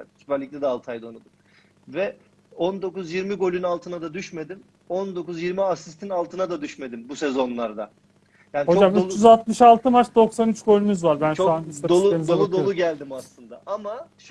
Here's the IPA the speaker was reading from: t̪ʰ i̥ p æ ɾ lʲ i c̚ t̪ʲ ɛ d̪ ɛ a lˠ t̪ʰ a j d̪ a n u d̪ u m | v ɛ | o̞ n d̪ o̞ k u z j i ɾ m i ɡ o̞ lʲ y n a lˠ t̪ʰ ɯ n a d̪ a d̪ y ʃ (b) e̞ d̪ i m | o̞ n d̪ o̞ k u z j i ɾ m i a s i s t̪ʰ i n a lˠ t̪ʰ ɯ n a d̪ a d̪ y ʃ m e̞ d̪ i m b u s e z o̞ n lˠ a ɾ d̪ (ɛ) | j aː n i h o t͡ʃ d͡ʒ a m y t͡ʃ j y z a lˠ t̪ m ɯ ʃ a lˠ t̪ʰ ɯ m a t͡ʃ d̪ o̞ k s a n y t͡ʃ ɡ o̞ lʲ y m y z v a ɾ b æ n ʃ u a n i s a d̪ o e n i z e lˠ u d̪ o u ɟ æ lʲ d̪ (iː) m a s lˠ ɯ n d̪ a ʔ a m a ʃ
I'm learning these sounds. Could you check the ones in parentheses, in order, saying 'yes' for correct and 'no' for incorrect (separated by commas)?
no, no, no